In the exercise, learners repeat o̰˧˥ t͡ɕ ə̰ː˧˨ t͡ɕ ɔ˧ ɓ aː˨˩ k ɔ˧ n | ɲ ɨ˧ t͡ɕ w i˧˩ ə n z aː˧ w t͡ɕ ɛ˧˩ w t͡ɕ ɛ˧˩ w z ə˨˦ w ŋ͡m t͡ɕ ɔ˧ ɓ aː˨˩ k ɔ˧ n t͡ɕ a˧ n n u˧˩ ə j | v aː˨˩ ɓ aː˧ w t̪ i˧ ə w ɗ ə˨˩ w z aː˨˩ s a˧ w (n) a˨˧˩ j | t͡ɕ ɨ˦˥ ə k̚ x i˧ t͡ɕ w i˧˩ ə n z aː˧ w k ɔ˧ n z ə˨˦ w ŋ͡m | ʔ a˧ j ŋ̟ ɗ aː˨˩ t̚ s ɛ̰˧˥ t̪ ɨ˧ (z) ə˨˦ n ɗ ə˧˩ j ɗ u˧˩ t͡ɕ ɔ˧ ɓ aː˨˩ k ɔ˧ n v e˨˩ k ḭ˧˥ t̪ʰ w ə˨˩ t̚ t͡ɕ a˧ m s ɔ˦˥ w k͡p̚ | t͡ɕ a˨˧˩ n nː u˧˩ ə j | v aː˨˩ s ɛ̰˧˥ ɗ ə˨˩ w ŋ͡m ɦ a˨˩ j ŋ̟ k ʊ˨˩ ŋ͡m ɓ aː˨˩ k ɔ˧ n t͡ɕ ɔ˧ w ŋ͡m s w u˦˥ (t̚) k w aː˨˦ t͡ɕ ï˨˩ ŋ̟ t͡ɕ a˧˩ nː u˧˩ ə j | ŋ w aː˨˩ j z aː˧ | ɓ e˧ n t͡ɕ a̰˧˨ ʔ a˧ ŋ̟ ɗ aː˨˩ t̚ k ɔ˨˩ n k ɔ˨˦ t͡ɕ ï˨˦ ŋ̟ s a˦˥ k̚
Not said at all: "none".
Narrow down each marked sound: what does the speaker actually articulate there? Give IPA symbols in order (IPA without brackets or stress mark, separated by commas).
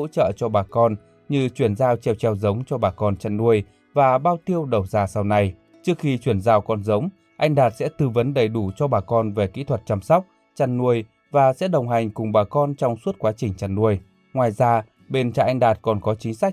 n, v, t̚